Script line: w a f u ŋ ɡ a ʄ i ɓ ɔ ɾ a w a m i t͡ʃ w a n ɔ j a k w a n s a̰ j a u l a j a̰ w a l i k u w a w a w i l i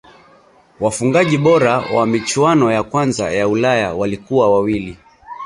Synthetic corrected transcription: w a f u ŋ ɡ a ʄ i ɓ ɔ ɾ a w a m i t͡ʃ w a n ɔ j a k w a n z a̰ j a u l a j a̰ w a l i k u w a w a w i l i